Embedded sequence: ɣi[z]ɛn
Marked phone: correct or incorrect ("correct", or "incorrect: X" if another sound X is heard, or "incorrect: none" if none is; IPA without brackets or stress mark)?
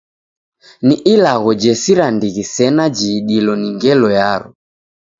incorrect: s